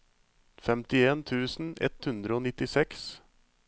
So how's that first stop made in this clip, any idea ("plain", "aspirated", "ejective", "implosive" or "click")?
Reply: plain